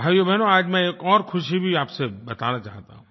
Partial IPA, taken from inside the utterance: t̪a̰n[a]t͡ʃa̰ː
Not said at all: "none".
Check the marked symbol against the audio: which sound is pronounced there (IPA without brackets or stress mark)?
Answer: a